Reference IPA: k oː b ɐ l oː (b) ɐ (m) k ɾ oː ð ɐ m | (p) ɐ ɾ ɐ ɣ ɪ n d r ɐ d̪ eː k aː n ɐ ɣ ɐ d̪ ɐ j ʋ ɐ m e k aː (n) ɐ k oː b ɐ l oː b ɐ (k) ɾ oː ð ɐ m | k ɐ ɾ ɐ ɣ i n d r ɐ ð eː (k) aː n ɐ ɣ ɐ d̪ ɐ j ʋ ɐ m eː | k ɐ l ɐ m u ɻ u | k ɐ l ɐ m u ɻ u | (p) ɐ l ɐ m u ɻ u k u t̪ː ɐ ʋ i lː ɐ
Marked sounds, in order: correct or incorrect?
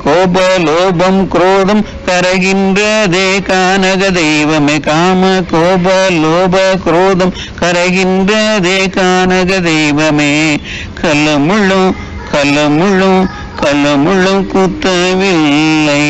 correct, correct, incorrect: k, incorrect: m, correct, correct, incorrect: k

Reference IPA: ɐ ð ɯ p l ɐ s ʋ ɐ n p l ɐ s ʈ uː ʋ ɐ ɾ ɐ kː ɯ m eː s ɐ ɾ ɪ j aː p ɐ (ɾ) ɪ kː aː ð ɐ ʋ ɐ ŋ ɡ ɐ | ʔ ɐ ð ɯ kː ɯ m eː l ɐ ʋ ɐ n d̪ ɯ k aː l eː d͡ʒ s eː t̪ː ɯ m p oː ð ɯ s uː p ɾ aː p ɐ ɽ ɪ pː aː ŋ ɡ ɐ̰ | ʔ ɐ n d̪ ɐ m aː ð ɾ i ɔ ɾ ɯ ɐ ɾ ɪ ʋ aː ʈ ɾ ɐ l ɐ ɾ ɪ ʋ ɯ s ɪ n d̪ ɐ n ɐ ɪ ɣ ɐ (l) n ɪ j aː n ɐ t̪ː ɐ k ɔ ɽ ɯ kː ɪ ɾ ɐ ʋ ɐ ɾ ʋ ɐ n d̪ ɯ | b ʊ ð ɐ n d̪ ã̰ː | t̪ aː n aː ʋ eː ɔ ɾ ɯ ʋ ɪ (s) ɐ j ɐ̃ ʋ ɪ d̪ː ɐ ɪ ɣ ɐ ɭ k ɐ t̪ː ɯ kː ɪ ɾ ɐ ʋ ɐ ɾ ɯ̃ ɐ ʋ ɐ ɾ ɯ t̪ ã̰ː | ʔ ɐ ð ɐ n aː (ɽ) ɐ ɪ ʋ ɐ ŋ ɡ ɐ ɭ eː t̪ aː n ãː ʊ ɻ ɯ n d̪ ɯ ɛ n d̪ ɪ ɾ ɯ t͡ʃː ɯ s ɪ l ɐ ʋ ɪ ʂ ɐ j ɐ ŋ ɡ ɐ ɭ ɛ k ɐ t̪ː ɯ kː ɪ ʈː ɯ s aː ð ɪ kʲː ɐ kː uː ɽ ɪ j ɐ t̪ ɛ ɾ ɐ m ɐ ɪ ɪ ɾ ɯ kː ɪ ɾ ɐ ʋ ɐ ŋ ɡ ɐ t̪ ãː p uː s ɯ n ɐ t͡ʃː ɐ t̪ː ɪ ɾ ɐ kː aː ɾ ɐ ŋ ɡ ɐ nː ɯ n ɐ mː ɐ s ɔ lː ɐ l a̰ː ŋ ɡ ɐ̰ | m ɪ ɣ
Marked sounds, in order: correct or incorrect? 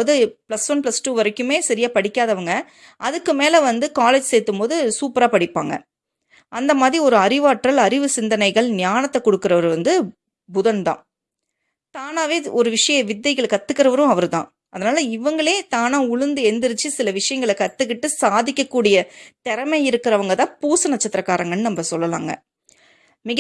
incorrect: ɽ, incorrect: ɭ, incorrect: ʂ, incorrect: l

